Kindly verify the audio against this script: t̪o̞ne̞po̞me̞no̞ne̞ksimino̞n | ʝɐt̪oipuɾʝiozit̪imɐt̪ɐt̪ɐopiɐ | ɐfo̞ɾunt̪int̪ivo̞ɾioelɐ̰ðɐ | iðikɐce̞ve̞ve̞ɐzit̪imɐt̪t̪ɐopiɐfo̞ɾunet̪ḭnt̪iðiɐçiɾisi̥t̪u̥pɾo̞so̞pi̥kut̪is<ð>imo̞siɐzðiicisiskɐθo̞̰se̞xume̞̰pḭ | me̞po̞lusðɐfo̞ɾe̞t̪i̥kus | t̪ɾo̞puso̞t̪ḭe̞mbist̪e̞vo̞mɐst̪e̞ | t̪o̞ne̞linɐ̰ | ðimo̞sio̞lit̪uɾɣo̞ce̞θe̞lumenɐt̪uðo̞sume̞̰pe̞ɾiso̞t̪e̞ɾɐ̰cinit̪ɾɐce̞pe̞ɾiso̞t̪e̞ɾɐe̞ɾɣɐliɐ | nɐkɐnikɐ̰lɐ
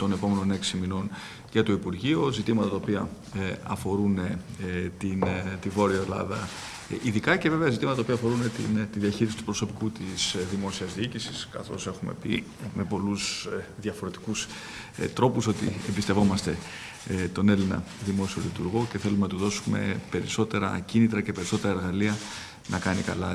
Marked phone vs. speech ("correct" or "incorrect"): correct